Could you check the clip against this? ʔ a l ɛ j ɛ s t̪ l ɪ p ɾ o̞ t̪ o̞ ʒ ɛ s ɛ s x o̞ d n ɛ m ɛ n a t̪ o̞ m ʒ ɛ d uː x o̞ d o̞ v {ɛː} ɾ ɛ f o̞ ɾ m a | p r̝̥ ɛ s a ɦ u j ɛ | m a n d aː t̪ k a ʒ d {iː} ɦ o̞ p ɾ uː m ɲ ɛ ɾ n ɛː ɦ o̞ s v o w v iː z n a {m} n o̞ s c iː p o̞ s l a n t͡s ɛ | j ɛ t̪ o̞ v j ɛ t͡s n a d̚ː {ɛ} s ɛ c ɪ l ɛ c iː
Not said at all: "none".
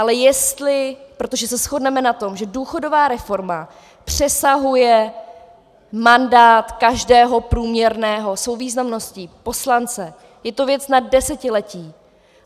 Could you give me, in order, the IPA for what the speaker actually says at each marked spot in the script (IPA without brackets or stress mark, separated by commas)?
aː, ɛː, m, ɛ